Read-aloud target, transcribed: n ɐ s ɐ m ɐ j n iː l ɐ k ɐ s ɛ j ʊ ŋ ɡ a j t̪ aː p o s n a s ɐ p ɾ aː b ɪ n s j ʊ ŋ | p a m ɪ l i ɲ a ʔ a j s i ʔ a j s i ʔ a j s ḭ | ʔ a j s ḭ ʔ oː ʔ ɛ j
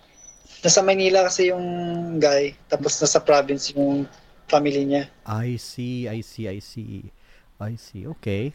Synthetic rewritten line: n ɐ s ɐ m ɐ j n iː l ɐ k ɐ s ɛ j ʊ ŋ ɡ a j t̪ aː p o s n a s ɐ p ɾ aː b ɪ n s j ʊ ŋ | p a m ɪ l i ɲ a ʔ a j s i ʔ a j s i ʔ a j s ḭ | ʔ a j s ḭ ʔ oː k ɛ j